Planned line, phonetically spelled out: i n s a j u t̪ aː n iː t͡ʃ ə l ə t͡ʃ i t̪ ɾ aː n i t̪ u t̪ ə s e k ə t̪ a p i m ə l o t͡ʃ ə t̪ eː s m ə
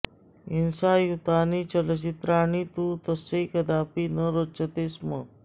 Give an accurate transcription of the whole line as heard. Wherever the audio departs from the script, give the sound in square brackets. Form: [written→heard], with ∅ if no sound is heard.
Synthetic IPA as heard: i n s a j u t̪ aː n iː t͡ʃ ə l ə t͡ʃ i t̪ ɾ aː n i t̪ u t̪ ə s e k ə [t̪→d̪] a p i [m→n] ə [l→ɾ] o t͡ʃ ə t̪ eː s m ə